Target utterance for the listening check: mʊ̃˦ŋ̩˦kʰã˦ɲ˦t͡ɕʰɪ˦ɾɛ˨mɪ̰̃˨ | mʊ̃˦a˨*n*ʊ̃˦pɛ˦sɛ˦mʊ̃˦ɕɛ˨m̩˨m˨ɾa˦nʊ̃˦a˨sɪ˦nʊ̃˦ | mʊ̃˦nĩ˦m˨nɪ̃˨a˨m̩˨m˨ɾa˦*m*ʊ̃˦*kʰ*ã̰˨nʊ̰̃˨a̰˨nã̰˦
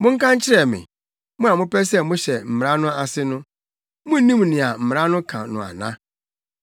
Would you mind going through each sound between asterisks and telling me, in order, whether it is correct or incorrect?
incorrect, incorrect, correct

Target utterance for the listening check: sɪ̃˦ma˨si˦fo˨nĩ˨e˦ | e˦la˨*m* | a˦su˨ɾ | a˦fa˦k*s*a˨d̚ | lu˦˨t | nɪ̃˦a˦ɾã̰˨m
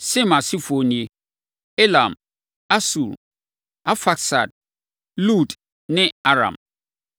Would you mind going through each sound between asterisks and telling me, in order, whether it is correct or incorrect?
correct, correct

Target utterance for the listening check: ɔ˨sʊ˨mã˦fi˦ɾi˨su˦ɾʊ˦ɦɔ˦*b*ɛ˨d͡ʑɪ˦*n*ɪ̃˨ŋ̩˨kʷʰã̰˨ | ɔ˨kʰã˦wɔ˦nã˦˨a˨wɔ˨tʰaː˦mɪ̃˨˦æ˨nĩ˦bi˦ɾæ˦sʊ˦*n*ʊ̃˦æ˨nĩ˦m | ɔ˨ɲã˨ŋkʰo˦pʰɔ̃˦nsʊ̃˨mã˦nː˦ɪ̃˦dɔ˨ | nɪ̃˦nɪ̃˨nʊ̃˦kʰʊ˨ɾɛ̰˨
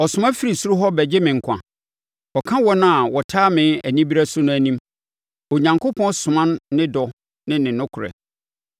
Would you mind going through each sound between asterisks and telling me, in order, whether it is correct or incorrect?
correct, incorrect, correct

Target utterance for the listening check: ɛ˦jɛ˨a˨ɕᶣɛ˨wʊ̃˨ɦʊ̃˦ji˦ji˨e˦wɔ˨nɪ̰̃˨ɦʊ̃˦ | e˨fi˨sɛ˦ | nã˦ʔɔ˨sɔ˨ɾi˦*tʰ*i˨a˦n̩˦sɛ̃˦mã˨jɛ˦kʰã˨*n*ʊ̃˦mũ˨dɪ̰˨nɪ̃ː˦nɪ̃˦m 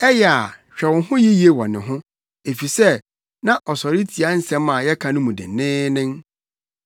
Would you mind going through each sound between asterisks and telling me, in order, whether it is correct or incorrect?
correct, correct

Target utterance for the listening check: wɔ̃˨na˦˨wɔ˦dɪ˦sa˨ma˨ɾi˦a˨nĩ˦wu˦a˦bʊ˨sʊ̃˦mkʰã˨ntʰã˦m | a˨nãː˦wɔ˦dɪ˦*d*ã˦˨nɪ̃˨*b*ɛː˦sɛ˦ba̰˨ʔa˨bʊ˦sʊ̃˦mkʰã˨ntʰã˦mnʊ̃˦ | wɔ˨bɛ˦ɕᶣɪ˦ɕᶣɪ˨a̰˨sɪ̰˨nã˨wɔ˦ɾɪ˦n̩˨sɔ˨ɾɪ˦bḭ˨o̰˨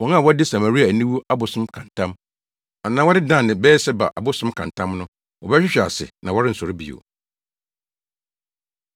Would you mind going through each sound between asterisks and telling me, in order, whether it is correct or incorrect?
correct, correct

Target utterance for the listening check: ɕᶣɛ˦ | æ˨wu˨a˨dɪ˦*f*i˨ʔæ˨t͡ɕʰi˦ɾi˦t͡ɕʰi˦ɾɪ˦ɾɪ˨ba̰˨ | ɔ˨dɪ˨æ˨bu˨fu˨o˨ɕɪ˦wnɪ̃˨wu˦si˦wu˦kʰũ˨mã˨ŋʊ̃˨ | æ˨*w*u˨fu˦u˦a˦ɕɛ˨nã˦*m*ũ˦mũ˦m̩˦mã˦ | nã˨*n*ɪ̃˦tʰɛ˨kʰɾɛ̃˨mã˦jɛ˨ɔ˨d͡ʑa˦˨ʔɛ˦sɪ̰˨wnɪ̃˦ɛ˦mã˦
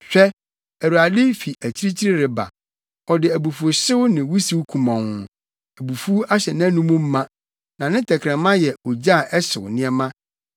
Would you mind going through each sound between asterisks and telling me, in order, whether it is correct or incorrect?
correct, incorrect, incorrect, correct

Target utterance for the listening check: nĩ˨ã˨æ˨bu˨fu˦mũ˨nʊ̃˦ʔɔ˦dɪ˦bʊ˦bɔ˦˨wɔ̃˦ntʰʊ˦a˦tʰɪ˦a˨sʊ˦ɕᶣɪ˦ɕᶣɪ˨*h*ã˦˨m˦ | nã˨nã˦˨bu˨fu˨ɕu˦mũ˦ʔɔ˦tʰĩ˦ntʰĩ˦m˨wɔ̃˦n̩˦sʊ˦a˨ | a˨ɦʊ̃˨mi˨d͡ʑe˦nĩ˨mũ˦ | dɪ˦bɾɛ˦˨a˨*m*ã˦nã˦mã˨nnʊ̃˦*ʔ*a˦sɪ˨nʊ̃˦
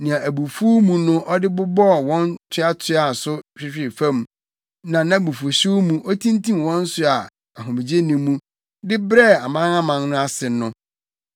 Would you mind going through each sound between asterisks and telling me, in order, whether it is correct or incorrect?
incorrect, correct, incorrect

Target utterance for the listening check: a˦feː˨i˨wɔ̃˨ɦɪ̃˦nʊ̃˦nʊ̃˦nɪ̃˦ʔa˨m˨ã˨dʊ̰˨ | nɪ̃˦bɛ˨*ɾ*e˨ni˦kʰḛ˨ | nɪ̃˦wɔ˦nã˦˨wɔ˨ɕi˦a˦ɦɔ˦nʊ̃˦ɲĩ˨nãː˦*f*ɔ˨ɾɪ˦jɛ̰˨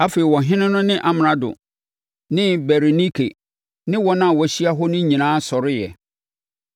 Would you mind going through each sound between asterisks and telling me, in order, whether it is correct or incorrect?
correct, incorrect

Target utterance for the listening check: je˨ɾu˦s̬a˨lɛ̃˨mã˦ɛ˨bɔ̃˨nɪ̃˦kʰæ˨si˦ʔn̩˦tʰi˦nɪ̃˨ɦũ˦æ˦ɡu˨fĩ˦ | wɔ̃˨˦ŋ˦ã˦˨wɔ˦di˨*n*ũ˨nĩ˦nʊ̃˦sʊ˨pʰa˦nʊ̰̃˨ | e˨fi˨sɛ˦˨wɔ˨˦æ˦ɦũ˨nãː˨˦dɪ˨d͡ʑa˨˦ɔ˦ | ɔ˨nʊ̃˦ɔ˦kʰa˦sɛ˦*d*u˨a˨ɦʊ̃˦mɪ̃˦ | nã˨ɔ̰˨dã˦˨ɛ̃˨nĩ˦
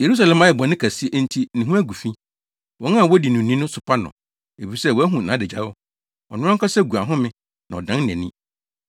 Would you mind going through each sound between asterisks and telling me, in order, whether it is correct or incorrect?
correct, incorrect

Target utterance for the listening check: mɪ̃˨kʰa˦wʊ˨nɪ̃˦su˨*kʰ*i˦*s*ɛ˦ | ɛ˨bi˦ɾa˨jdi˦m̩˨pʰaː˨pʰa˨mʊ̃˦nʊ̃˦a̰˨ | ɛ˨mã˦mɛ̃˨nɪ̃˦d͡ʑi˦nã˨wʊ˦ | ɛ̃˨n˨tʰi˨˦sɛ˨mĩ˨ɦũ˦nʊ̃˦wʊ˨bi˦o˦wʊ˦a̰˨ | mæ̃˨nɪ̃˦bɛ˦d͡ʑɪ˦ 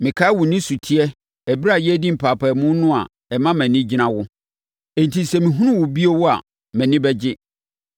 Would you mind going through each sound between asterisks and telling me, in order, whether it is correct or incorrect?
incorrect, incorrect

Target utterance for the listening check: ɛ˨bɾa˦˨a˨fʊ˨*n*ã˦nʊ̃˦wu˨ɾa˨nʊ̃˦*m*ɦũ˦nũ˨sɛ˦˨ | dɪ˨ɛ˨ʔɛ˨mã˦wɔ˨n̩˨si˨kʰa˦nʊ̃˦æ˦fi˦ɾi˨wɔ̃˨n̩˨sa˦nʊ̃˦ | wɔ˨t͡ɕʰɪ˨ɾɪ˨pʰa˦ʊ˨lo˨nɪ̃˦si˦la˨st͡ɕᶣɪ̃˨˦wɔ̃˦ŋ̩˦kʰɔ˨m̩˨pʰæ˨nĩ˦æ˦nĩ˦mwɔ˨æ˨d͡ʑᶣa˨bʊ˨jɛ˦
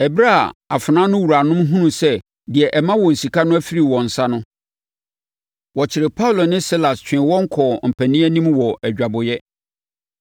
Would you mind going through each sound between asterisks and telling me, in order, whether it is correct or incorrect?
correct, correct

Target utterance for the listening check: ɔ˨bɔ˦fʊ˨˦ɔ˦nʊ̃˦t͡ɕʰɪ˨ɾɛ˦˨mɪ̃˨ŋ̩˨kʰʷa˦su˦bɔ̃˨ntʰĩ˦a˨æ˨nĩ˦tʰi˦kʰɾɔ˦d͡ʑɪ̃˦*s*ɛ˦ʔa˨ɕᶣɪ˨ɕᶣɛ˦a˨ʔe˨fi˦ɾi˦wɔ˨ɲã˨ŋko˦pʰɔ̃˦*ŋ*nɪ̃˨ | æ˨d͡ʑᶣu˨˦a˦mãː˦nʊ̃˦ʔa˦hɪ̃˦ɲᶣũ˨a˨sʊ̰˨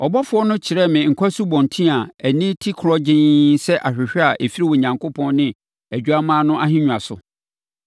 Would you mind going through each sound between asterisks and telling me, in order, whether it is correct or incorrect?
correct, incorrect

